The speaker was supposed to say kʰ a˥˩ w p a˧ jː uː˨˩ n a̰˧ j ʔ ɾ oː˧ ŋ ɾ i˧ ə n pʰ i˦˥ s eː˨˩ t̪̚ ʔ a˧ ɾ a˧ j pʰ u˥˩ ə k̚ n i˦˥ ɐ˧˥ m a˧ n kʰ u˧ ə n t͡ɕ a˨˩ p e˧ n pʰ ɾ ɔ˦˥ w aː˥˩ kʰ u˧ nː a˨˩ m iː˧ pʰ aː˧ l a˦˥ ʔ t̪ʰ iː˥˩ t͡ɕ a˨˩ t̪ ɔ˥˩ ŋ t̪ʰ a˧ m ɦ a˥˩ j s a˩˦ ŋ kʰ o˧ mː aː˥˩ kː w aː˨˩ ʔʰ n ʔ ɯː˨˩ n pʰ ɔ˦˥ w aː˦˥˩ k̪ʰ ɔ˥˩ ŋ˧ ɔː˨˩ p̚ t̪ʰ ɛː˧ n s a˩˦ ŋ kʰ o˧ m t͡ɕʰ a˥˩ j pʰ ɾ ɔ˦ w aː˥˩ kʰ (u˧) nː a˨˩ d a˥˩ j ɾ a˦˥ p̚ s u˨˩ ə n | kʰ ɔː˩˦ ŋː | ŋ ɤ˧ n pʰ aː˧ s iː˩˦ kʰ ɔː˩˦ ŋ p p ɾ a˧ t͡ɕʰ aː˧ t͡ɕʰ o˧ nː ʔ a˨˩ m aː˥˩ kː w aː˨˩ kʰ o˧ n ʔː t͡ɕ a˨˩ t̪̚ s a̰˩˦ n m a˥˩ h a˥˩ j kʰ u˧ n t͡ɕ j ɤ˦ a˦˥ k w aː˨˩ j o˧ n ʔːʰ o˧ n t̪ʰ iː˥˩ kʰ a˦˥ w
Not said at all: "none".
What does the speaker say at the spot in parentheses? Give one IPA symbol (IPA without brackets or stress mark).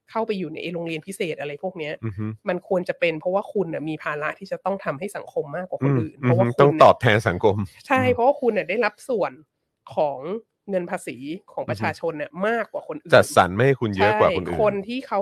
u˧